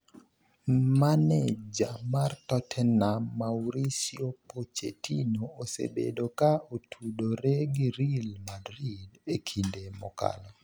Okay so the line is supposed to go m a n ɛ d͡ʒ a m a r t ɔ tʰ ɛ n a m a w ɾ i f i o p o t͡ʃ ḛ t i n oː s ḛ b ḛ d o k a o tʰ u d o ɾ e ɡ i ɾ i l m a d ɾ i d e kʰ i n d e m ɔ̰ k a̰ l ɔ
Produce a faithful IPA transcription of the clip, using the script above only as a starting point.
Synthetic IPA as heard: m a n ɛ d͡ʒ a m a r t ɔ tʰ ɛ n a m a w ɾ i s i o p o t͡ʃ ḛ t i n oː s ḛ b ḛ d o k a o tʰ u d o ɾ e ɡ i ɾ i l m a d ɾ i d e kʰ i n d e m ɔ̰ k a̰ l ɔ